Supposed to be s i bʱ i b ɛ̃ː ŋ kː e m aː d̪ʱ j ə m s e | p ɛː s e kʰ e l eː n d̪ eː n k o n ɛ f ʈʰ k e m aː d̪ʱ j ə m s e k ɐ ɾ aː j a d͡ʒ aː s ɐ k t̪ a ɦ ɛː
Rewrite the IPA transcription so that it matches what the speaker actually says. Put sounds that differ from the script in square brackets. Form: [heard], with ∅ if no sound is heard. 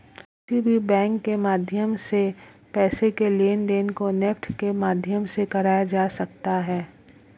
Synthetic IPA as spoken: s i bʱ i b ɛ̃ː ŋ kː e m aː d̪ʱ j ə m s e | p ɛː s e [k] e l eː n d̪ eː n k o n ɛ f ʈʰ k e m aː d̪ʱ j ə m s e k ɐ ɾ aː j a d͡ʒ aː s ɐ k t̪ a ɦ ɛː